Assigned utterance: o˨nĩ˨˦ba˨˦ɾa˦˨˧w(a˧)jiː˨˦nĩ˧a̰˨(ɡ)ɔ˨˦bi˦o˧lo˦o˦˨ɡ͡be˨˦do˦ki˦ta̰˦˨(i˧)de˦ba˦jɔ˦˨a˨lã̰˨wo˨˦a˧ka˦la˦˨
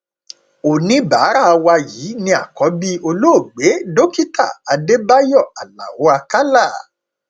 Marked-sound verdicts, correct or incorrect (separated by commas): correct, incorrect, incorrect